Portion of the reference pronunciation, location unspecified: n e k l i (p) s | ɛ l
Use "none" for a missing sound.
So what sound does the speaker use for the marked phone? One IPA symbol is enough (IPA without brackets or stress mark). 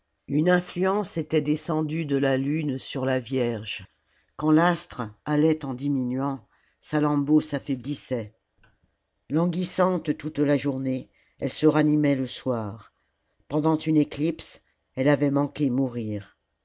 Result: p